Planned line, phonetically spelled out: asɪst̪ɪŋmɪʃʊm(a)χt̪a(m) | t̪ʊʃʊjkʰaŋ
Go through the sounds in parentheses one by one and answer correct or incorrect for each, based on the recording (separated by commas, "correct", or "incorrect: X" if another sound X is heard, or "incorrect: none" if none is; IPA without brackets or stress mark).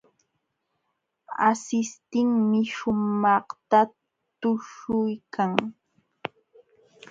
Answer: incorrect: ɑ, incorrect: none